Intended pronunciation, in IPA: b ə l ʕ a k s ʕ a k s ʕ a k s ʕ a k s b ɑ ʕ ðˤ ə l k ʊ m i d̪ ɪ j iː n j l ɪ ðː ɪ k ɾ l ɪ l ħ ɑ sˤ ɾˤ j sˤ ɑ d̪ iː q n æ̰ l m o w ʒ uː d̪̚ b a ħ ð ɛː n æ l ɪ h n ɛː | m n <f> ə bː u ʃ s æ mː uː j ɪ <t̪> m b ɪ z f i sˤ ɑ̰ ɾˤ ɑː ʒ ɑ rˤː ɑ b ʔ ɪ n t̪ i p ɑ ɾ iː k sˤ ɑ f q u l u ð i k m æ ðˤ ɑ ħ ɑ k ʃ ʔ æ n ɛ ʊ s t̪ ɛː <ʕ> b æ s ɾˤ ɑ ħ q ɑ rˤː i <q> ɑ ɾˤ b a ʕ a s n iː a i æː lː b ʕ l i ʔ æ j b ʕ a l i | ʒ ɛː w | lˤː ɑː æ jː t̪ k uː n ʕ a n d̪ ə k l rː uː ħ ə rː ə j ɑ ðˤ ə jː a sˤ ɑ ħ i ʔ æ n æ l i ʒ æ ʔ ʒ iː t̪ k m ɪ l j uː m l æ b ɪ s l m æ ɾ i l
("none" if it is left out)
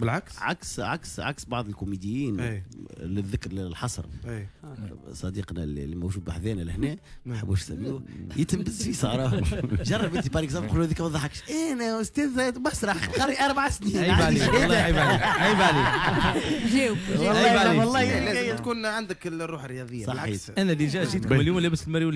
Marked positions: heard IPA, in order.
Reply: ħ, t̪, ð, ʔ

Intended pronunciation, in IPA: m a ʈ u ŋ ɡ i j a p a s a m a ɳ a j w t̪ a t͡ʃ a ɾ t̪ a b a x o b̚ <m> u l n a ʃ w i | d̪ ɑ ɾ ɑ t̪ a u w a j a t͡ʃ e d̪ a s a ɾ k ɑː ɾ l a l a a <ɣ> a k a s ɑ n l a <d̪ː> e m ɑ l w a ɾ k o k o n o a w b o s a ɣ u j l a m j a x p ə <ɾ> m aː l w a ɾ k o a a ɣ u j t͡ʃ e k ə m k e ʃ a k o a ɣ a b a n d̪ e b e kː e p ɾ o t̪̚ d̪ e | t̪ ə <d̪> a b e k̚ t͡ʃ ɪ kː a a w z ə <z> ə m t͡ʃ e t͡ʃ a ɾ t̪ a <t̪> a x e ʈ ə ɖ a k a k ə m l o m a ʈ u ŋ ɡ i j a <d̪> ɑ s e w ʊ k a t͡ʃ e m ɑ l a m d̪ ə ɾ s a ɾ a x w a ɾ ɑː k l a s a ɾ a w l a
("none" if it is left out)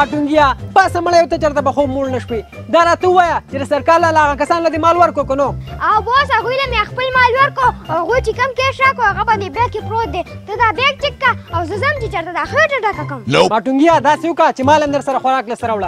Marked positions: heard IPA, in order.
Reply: m, ɣ, d̪, l, d̪, z, d̪, d̪

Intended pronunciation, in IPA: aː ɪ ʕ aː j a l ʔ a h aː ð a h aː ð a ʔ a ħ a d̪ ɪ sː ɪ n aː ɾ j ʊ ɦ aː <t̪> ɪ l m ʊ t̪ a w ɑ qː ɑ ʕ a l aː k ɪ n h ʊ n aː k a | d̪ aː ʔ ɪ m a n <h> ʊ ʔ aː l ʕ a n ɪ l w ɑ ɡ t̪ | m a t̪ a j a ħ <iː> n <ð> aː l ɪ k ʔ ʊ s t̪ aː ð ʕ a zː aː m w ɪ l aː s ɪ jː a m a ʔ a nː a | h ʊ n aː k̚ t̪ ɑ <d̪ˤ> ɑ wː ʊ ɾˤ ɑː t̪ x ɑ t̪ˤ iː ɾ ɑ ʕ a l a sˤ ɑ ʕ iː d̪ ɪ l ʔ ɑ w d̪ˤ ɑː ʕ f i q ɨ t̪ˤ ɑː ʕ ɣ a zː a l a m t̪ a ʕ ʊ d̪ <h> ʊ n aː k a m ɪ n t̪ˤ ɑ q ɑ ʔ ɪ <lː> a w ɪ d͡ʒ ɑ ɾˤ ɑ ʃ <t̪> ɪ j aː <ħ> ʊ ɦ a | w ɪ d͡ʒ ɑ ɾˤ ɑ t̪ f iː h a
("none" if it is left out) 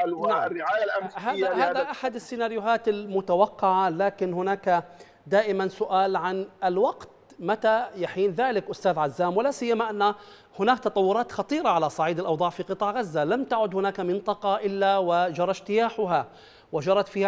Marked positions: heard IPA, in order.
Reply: t̪, s, iː, ð, t̪ˤ, h, lː, t̪, ħ

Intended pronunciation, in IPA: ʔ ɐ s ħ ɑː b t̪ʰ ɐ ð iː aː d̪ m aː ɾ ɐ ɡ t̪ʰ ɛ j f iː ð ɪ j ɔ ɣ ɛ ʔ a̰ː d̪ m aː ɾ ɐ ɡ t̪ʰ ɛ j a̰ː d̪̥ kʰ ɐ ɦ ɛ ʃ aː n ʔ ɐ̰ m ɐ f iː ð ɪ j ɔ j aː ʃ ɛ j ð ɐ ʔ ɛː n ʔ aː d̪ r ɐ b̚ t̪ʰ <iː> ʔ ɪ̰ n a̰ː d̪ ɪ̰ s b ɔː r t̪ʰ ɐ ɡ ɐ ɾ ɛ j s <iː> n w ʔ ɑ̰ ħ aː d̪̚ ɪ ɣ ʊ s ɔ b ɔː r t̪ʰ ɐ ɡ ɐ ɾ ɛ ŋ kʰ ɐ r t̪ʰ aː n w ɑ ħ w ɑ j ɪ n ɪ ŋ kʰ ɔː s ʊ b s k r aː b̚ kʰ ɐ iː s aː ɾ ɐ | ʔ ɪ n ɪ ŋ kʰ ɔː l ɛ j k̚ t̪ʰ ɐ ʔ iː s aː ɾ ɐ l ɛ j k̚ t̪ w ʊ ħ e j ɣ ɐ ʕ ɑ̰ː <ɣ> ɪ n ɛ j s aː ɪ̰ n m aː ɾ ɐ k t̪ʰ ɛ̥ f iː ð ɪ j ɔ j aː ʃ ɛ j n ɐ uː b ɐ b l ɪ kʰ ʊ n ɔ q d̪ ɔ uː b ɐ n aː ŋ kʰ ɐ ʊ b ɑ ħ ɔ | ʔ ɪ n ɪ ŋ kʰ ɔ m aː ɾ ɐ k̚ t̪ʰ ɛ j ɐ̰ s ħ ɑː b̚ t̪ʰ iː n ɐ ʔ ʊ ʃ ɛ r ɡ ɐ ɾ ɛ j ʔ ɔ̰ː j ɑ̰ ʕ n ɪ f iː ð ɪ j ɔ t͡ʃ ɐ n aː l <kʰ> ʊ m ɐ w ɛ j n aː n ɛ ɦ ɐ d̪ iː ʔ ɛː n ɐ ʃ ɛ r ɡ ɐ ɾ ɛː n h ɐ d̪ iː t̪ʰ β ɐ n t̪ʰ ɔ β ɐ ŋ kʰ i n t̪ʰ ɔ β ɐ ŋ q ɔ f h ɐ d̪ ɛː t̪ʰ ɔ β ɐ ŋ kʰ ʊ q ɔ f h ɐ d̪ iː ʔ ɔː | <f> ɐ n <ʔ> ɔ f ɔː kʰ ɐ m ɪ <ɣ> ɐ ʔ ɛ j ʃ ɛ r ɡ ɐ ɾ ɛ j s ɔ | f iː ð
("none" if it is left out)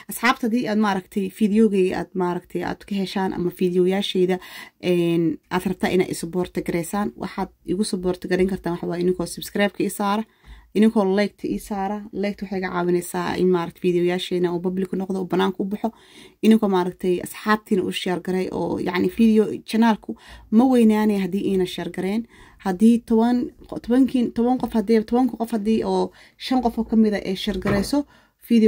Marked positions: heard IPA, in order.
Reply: aː, aː, w, kʰ, ʃ, q, ð

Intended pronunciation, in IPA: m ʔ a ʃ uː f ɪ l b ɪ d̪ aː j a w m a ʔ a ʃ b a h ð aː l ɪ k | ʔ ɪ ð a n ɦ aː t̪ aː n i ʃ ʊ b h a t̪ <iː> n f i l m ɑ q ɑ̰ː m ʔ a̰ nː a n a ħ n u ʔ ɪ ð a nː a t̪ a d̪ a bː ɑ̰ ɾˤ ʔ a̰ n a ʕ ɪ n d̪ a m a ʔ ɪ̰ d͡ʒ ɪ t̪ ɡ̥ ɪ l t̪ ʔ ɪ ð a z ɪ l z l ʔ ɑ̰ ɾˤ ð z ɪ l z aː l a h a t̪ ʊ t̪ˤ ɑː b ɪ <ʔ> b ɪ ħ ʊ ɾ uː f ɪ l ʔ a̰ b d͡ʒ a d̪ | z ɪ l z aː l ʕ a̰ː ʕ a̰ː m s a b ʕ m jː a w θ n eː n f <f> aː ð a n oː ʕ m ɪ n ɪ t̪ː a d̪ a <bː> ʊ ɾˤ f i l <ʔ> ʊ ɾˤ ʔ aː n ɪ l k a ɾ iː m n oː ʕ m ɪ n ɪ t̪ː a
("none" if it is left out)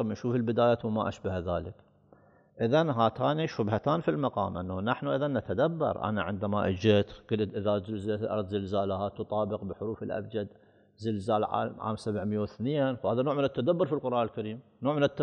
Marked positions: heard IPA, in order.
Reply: aː, q, h, bː, q

